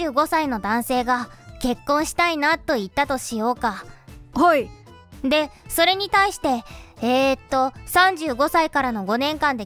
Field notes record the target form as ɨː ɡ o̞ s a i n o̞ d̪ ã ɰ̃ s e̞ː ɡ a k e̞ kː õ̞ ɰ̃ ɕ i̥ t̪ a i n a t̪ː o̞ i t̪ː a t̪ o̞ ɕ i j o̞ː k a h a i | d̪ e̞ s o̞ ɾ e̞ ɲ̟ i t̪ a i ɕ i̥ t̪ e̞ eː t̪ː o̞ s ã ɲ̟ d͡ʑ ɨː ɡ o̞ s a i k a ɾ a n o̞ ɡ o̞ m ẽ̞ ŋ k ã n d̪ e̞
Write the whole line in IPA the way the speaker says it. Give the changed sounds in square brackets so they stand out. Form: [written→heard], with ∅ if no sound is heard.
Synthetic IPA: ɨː ɡ o̞ s a i n o̞ d̪ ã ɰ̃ s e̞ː ɡ a k e̞ kː õ̞ ɰ̃ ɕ i̥ t̪ a i n a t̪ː o̞ i t̪ː a t̪ o̞ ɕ i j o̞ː k a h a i | d̪ e̞ s o̞ ɾ e̞ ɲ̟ i t̪ a i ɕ i̥ t̪ e̞ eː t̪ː o̞ s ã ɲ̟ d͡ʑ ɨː ɡ o̞ s a i k a ɾ a n o̞ ɡ o̞ [m→n] ẽ̞ ŋ k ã n d̪ e̞